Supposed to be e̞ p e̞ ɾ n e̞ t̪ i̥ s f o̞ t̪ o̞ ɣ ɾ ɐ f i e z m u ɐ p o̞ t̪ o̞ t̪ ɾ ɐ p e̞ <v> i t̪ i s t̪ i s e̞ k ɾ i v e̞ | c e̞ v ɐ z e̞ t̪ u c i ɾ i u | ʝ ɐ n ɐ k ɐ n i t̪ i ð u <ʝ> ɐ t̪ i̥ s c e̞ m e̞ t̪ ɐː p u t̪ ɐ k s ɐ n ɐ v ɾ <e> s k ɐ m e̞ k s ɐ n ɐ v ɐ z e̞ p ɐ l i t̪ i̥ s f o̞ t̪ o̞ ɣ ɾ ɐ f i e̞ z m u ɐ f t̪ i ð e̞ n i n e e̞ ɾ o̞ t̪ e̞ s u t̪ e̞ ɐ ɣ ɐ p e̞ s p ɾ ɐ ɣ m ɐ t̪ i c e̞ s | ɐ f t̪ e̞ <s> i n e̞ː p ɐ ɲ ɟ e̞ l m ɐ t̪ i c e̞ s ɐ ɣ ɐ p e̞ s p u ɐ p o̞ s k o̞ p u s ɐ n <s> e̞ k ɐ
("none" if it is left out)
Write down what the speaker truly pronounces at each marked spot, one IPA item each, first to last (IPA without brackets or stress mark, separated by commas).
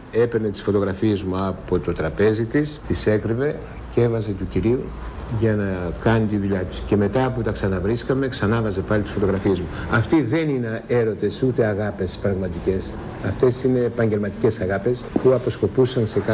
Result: z, ʎ, i, s, s